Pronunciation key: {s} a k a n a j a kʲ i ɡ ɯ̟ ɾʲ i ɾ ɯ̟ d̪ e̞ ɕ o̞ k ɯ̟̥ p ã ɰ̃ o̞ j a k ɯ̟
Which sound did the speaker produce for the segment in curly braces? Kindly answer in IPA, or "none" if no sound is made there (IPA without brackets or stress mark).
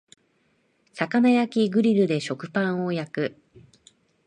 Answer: s